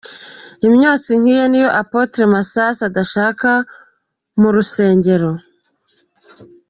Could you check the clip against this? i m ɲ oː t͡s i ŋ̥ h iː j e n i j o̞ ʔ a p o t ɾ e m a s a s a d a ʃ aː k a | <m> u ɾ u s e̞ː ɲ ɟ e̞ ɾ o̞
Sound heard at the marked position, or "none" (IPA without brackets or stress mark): m